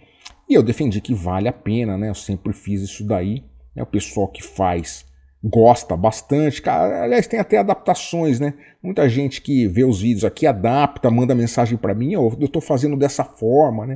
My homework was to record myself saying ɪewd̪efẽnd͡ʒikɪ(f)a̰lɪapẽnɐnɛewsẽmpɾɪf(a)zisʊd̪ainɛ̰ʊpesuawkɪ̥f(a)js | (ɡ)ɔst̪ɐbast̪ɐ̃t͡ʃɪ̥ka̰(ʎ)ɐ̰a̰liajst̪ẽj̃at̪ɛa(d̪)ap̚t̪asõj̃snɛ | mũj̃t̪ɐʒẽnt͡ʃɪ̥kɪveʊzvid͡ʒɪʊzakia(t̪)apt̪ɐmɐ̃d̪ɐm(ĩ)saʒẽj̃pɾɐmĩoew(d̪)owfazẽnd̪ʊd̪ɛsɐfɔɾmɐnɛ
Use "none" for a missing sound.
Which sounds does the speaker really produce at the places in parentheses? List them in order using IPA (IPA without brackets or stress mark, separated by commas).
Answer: v, i, a, ɡ, ɾ, d̪, d̪, ẽ, t̪